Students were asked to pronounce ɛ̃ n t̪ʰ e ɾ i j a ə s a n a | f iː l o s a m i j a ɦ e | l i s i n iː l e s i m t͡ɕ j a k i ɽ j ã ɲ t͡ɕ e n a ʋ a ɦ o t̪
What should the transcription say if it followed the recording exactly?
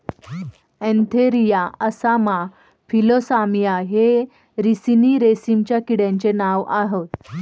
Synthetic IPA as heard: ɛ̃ n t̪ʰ e ɾ i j a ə s a m a | f i l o s a m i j a ɦ e | ɾ i s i n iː ɾ e s i m t͡ɕ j a k i ɽ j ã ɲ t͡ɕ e n a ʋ a ɦ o t̪